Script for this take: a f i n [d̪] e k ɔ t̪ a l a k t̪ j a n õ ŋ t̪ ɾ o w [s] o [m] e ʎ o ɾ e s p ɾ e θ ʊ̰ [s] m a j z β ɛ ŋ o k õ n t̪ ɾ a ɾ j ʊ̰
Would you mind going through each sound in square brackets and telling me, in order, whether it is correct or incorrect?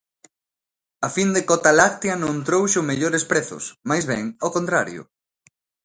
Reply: correct, incorrect, correct, correct

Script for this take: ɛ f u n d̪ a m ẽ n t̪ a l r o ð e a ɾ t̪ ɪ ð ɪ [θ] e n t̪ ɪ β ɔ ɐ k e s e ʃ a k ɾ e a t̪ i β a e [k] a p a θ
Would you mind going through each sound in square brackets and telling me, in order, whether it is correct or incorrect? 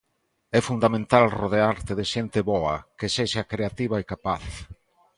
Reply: incorrect, correct

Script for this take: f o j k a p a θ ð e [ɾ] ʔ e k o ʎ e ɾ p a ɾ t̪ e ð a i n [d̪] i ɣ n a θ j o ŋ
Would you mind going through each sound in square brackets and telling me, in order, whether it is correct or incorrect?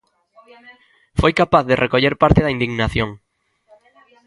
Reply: incorrect, correct

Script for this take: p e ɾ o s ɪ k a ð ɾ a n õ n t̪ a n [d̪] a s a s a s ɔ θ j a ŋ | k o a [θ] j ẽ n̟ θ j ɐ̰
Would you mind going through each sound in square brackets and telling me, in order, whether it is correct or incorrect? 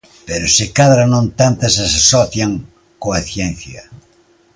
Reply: incorrect, correct

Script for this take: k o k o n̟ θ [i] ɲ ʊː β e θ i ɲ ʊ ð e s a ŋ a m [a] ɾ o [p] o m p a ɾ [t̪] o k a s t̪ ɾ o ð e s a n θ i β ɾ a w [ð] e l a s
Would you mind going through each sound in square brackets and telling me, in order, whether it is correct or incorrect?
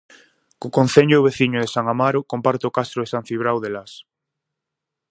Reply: incorrect, correct, incorrect, correct, correct

